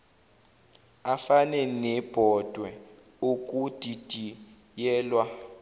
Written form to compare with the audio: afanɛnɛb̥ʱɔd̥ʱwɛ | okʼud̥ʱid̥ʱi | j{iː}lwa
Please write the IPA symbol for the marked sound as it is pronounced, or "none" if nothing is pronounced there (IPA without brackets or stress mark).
ɛː